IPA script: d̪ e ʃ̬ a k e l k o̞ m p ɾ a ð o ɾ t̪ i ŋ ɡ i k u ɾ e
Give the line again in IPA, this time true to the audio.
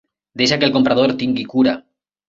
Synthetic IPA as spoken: d̪ e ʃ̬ a k e l k o̞ m p ɾ a ð o ɾ t̪ i ŋ ɡ i k u ɾ a